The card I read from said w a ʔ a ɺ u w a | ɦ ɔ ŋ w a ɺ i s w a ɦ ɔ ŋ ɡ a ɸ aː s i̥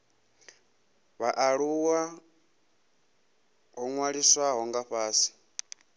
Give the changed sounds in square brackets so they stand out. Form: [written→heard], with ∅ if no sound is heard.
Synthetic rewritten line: [w→β] a ʔ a ɺ u w a | ɦ ɔ ŋ w a ɺ i s w a ɦ ɔ ŋ ɡ a ɸ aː s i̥